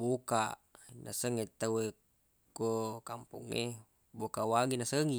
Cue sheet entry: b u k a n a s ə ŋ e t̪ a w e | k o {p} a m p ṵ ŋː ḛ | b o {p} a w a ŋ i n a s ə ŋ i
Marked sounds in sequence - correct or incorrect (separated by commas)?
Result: incorrect, incorrect